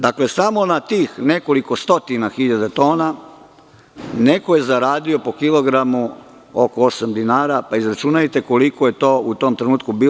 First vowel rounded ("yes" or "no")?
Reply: no